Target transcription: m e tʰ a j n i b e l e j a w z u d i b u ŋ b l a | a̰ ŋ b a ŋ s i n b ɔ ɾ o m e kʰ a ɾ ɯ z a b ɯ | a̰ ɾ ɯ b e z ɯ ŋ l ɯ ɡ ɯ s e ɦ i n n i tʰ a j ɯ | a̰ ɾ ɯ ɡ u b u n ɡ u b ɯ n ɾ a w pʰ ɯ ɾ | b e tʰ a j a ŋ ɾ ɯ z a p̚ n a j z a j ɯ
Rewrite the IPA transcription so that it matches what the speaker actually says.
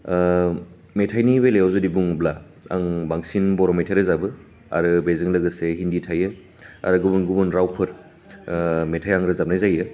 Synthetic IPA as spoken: m e tʰ a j n i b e l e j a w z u d i b u ŋ b l a | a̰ ŋ b a ŋ s i n b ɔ ɾ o m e tʰ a ɾ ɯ z a b ɯ | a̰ ɾ ɯ b e z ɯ ŋ l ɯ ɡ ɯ s e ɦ i n d i tʰ a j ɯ | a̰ ɾ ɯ ɡ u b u n ɡ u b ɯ n ɾ a w pʰ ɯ ɾ | m e tʰ a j a ŋ ɾ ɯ z a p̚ n a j z a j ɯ